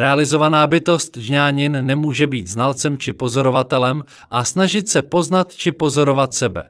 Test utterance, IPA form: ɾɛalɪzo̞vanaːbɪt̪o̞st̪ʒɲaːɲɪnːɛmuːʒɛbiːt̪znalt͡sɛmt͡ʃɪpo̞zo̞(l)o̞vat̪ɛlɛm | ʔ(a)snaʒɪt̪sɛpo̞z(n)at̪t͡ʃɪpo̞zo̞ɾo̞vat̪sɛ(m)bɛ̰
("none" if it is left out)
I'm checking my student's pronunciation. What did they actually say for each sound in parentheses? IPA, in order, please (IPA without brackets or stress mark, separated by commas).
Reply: ɾ, a, n, none